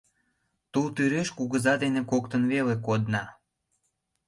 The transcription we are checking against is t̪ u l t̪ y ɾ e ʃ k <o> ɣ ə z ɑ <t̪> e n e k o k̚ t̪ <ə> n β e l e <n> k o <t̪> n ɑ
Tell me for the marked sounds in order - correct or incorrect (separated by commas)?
incorrect, incorrect, correct, incorrect, incorrect